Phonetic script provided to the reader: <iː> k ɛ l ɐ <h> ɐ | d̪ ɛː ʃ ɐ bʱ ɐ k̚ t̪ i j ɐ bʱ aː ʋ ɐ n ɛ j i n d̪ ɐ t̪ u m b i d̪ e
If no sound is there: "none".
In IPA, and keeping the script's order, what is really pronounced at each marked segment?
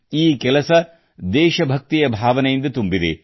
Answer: iː, s

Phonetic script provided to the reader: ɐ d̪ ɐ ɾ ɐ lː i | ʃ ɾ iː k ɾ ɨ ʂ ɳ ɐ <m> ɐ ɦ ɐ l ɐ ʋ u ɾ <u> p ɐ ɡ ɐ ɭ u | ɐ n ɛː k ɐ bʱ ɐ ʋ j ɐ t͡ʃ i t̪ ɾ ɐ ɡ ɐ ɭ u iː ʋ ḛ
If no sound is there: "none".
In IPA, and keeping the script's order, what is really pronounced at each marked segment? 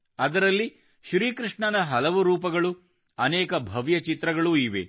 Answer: n, uː

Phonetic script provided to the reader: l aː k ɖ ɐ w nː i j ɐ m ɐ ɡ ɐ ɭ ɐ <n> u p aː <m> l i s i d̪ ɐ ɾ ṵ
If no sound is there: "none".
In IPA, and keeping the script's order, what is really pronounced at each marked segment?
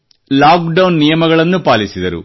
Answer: nː, none

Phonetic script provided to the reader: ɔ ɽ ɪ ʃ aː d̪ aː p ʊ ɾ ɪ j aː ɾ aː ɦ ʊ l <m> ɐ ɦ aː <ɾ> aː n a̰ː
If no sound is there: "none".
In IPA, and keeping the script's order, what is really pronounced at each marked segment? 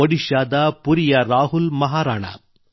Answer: m, ɾ

